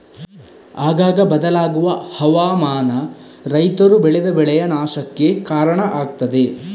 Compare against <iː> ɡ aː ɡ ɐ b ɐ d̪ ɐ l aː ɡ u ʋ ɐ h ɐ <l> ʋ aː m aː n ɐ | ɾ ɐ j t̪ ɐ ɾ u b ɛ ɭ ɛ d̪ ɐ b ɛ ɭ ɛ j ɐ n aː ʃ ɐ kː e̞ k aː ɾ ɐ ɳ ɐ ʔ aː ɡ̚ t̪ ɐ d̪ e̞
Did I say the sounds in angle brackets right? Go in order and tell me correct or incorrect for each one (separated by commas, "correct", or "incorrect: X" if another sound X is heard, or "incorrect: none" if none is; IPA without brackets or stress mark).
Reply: incorrect: aː, incorrect: none